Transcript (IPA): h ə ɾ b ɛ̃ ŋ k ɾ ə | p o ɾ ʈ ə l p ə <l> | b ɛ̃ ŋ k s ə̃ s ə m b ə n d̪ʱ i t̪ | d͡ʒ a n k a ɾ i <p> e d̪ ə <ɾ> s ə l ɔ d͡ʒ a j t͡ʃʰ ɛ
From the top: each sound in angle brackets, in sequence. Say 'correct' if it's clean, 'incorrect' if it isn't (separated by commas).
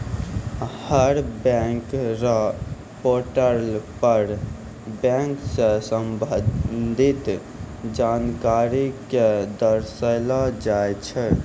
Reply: incorrect, incorrect, correct